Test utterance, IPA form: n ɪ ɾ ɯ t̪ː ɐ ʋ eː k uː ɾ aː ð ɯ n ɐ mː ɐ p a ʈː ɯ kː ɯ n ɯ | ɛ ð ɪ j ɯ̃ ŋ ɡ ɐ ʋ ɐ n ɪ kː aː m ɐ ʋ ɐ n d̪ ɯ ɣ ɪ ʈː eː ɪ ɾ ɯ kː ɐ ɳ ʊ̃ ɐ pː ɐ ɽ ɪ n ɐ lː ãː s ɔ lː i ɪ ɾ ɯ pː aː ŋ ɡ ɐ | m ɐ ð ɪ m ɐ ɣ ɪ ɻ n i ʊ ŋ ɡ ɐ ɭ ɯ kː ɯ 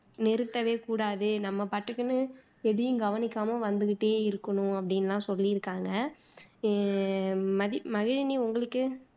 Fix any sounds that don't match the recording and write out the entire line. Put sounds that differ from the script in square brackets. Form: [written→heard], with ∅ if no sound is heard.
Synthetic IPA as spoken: n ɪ ɾ ɯ t̪ː ɐ ʋ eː k uː [ɾ→ɽ] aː ð ɯ n ɐ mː ɐ p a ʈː ɯ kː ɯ n ɯ | ɛ ð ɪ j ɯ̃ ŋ ɡ ɐ ʋ ɐ n ɪ kː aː m ɐ ʋ ɐ n d̪ ɯ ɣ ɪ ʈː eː ɪ ɾ ɯ kː ɐ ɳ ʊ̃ ɐ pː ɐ ɽ ɪ n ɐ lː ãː s ɔ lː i ɪ ɾ ɯ [pː→kː] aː ŋ ɡ ɐ | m ɐ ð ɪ m ɐ ɣ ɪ ɻ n i ʊ ŋ ɡ ɐ ɭ ɯ kː ɯ